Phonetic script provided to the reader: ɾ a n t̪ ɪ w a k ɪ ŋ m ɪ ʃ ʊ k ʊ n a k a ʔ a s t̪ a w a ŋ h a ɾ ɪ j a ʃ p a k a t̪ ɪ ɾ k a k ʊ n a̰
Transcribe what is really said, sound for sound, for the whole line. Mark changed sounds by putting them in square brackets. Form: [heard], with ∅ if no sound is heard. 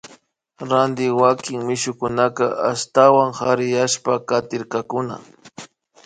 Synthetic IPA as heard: ɾ a n [d̪] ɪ w a k ɪ ŋ m ɪ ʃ ʊ k ʊ n a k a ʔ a s t̪ a w a ŋ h a ɾ ɪ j a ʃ p a k a t̪ ɪ ɾ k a k ʊ n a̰